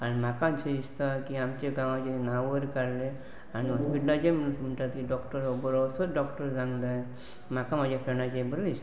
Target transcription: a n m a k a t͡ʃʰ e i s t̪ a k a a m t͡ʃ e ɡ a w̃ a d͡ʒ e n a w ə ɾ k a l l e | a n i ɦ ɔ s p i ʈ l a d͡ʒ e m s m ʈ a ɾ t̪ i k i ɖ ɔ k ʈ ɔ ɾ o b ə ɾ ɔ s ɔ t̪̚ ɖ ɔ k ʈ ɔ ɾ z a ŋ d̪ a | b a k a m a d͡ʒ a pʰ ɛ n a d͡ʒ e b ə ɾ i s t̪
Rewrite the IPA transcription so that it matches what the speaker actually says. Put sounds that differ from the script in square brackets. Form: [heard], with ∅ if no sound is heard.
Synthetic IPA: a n m a k a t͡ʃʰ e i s t̪ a k [i] a m t͡ʃ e ɡ a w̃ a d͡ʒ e n a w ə ɾ k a [ɾ] l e | a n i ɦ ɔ s p i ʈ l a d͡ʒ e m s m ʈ a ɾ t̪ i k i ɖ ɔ k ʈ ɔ ɾ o b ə ɾ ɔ s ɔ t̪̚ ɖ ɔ k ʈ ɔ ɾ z a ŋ d̪ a | [m] a k a m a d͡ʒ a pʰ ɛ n a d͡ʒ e b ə ɾ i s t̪